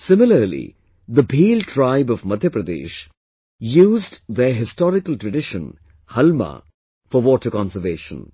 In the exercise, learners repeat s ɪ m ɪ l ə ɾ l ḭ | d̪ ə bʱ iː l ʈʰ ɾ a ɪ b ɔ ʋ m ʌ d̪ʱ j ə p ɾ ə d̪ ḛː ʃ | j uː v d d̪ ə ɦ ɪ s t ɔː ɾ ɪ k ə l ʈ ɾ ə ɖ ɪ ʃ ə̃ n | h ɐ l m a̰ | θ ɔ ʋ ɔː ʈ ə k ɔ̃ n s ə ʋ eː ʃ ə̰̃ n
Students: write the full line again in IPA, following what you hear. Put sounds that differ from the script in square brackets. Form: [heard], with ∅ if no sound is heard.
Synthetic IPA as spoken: s ɪ m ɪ l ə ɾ l ḭ | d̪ ə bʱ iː l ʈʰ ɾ a ɪ b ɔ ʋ m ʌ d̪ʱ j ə p ɾ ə d̪ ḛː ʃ | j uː [z] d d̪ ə ɦ ɪ s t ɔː ɾ ɪ k ə l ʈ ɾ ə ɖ ɪ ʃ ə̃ n | h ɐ l m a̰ | [f] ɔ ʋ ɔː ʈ ə k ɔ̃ n s ə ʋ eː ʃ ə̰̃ n

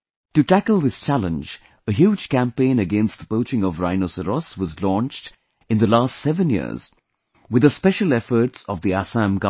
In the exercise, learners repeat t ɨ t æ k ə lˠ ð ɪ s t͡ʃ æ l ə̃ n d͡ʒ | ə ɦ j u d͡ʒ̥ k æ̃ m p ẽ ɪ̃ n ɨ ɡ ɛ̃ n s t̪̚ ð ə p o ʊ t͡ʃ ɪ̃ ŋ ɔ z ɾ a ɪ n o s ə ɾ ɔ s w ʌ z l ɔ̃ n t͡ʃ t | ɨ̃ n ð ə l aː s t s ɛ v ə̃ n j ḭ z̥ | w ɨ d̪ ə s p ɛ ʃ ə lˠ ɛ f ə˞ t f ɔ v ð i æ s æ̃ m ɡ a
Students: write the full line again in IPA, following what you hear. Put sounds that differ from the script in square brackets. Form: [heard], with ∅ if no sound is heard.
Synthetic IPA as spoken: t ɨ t æ k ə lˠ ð ɪ s t͡ʃ æ l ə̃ n d͡ʒ | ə ɦ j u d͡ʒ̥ k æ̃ m p ẽ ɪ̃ n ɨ ɡ ɛ̃ n s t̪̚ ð ə p o ʊ t͡ʃ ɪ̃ ŋ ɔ [v] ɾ a ɪ n o s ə ɾ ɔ s w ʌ z l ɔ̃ n t͡ʃ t | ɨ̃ n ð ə l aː s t s ɛ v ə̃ n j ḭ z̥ | w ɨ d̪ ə s p ɛ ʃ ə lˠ ɛ f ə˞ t [s] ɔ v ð i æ s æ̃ m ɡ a

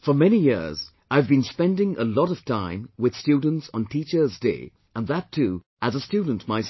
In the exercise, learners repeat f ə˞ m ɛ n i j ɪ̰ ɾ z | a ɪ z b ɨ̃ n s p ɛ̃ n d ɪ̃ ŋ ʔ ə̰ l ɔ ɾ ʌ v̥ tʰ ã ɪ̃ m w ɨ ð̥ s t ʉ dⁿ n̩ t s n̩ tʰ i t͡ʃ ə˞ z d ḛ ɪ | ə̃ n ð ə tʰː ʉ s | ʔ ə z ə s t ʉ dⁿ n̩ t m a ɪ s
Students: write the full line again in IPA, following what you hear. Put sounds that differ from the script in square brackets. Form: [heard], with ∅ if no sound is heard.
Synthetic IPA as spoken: f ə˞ m ɛ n i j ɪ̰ [ɹ] z | a ɪ [v] b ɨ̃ n s p ɛ̃ n d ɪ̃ ŋ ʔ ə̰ l ɔ ɾ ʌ v̥ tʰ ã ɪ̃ m w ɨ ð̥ s t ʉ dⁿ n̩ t s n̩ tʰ i t͡ʃ ə˞ z d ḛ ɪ | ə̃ n ð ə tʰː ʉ [∅] | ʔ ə z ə s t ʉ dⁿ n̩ t m a ɪ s

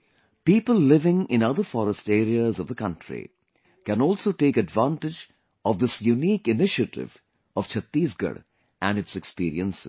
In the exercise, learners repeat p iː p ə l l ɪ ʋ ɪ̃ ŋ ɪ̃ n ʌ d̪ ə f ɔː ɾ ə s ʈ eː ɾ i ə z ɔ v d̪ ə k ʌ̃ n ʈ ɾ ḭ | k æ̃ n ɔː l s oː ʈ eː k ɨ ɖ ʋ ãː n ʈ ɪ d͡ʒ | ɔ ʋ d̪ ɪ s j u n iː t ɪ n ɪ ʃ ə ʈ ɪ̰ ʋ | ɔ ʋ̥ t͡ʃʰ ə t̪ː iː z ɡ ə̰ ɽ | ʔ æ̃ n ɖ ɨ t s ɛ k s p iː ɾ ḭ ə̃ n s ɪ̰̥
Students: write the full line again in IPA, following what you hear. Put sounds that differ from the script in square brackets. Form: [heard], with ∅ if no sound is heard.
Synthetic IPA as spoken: p iː p ə l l ɪ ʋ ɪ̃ ŋ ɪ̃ n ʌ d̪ ə f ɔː ɾ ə s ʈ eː ɾ i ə z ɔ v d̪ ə k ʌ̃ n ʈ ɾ ḭ | k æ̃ n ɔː l s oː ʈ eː k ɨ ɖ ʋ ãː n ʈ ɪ d͡ʒ | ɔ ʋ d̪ ɪ s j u n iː [k] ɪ n ɪ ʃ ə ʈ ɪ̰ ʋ | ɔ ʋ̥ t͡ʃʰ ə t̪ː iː z ɡ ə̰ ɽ | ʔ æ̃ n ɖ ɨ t s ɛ k s p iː ɾ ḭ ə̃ n s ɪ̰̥

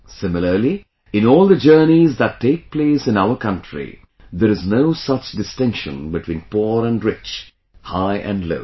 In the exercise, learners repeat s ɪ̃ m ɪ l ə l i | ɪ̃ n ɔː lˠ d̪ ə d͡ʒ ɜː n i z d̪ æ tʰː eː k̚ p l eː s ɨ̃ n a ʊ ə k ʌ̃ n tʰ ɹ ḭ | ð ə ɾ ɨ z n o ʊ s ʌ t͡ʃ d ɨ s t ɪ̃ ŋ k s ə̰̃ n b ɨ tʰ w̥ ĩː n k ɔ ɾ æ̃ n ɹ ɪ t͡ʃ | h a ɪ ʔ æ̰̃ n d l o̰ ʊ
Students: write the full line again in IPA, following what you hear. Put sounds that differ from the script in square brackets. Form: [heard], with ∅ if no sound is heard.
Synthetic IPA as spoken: s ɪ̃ m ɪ l ə l i | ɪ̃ n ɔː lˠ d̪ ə d͡ʒ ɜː n i z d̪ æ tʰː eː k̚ p l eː s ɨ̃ n a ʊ ə k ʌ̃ n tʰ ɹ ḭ | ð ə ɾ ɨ z n o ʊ s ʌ t͡ʃ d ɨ s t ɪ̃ ŋ k [ʃ] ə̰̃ n b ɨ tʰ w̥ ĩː n [p] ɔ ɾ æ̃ n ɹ ɪ t͡ʃ | h a ɪ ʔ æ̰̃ n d l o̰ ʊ

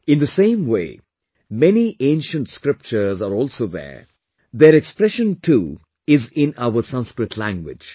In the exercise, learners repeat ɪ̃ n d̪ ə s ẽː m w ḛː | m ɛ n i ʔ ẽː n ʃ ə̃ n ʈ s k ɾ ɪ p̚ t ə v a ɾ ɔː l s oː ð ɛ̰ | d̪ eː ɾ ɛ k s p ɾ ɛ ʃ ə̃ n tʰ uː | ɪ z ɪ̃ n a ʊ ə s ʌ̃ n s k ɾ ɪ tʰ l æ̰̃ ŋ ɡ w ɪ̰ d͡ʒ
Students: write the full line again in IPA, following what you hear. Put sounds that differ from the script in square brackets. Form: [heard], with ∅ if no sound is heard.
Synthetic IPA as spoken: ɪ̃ n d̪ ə s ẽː m w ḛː | m ɛ n i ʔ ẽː n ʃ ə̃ n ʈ s k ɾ ɪ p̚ [t͡ʃ] ə [z] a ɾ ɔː l s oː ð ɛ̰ | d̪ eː ɾ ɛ k s p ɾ ɛ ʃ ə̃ n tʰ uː | ɪ z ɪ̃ n a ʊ ə s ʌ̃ n s k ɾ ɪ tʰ l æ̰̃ ŋ ɡ w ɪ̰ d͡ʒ

